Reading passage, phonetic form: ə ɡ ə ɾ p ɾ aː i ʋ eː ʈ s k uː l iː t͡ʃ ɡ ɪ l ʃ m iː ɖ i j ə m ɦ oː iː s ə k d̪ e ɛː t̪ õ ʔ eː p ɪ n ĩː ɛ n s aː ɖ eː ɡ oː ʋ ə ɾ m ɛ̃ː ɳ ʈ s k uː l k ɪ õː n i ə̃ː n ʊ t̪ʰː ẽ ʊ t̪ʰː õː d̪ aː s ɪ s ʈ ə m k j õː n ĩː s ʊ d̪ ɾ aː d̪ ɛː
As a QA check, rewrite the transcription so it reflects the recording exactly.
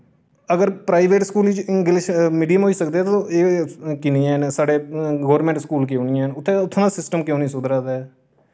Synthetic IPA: ə ɡ ə ɾ p ɾ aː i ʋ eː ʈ s k uː l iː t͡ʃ ɡ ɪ l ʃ m iː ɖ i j ə m ɦ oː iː s ə k d̪ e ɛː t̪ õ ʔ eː k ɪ n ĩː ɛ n s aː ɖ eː ɡ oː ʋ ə ɾ m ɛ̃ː ɳ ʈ s k uː l k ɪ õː n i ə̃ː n ʊ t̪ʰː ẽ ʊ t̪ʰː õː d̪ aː s ɪ s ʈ ə m k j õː n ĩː s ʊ d̪ ɾ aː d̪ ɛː